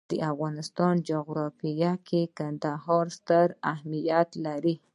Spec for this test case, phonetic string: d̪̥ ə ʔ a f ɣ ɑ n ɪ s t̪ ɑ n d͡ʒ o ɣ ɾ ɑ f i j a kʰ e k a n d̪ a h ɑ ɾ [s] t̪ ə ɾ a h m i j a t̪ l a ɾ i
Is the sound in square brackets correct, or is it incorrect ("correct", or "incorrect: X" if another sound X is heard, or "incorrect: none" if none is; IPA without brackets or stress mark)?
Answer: correct